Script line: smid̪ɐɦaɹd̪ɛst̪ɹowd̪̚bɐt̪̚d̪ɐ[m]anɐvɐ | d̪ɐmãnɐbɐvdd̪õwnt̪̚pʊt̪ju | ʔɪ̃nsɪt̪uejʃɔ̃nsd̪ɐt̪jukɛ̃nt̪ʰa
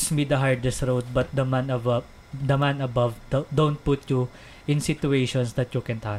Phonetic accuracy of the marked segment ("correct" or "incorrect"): correct